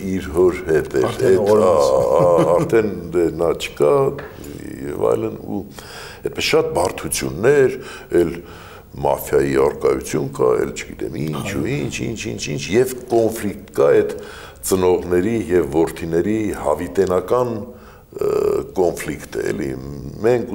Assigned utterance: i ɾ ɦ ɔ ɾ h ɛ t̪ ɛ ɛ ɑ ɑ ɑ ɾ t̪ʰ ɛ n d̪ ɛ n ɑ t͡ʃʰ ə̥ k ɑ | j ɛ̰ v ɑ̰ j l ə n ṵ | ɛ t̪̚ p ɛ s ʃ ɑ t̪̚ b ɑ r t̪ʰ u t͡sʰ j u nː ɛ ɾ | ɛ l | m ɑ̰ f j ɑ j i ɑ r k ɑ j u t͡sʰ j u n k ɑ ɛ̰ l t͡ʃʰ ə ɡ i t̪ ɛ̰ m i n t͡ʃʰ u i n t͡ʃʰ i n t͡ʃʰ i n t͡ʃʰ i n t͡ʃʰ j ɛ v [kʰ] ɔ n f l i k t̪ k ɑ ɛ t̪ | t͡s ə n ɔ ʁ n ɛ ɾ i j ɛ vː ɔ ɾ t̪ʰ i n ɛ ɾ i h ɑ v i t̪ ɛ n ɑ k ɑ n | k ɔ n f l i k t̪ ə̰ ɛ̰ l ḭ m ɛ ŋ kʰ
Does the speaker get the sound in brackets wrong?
yes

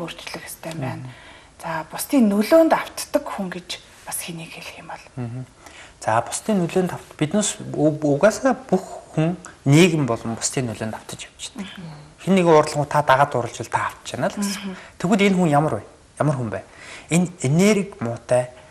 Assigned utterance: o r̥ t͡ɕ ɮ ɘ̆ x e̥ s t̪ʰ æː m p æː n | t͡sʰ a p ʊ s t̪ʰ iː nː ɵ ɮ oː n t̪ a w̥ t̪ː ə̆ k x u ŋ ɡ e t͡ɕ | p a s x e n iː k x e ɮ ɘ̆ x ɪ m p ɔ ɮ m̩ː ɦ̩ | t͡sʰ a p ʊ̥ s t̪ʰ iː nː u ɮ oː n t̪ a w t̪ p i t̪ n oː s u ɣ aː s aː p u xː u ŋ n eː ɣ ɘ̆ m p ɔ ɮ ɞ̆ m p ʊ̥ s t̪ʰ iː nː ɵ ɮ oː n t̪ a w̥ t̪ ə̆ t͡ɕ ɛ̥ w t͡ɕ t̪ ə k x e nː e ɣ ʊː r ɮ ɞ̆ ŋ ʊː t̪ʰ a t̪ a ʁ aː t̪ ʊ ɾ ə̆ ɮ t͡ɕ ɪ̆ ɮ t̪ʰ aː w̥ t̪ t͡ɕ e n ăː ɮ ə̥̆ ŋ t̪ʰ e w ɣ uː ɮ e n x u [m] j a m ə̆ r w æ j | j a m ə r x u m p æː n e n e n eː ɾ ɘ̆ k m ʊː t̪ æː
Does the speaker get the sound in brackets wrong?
yes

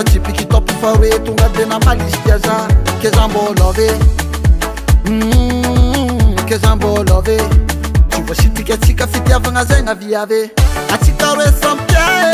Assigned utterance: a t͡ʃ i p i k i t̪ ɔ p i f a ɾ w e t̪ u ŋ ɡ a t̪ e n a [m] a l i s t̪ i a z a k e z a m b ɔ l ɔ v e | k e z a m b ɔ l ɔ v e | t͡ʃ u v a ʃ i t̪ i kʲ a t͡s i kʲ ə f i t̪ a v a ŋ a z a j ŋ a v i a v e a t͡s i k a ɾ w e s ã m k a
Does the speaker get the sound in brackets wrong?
no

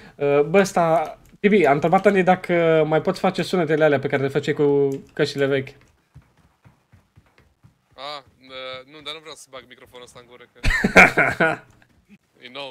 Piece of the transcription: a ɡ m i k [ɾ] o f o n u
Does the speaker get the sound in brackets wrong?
no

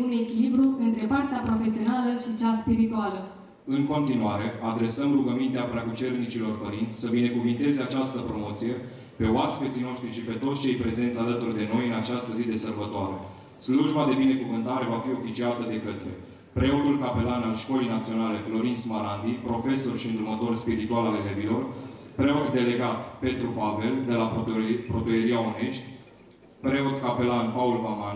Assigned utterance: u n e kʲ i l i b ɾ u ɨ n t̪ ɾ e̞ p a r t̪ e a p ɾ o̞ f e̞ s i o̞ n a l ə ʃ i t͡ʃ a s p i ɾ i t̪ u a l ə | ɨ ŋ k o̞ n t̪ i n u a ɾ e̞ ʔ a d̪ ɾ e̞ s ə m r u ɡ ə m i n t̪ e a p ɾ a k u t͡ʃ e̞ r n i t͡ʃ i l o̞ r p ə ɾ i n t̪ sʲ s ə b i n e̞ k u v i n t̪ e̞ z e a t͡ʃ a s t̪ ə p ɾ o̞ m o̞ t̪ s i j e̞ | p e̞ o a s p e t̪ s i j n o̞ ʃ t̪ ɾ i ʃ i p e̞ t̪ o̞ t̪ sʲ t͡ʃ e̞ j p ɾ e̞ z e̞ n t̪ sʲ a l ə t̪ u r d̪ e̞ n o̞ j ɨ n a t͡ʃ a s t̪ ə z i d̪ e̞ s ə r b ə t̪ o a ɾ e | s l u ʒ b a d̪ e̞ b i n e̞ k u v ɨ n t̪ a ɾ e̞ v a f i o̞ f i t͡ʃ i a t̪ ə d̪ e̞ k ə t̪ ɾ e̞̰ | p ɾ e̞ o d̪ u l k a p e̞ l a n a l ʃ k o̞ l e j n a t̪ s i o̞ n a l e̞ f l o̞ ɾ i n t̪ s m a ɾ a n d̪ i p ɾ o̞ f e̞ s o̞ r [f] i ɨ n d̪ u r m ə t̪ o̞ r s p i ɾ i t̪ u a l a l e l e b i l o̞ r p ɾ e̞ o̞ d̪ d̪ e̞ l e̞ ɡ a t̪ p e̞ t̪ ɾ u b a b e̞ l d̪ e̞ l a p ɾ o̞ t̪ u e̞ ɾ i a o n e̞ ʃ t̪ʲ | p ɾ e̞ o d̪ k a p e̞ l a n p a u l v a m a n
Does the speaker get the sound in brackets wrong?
yes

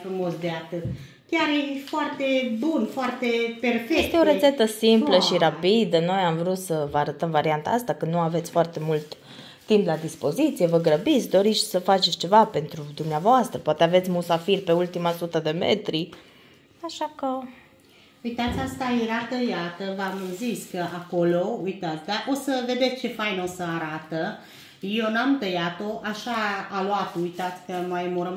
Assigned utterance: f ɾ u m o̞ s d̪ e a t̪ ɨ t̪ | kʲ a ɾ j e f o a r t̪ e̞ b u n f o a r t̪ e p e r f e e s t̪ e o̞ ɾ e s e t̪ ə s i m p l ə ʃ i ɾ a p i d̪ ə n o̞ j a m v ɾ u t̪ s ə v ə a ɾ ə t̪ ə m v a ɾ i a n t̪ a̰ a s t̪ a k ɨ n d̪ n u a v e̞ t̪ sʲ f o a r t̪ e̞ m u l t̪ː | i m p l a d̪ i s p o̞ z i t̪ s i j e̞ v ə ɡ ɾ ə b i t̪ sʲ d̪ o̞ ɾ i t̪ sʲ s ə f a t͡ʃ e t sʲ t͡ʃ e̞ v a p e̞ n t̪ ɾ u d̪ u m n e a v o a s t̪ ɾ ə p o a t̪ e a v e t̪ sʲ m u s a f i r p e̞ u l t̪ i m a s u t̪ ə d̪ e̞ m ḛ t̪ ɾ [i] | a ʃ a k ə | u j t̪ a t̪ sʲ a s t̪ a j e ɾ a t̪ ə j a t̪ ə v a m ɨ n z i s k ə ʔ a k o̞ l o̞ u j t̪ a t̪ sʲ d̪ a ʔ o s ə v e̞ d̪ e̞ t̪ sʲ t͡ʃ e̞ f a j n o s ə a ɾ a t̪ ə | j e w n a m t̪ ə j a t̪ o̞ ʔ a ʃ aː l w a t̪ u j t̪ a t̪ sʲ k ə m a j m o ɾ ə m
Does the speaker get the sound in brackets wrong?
no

